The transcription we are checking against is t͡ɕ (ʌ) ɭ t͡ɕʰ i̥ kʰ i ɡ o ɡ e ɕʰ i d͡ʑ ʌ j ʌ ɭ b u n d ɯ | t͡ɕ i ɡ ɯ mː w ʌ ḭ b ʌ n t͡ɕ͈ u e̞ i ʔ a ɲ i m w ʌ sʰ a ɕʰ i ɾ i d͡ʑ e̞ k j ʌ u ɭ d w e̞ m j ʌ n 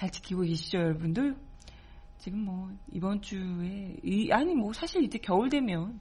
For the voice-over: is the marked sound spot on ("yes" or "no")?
no